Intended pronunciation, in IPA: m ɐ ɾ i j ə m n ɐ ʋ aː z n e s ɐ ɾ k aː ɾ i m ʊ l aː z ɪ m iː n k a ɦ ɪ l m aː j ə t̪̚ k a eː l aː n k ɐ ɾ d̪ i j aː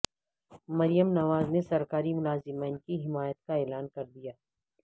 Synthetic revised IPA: m ɐ ɾ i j ə m n ɐ ʋ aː z n e s ɐ ɾ k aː ɾ i m ʊ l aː z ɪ m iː n k i ɦ ɪ m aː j ə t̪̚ k a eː l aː n k ɐ ɾ d̪ i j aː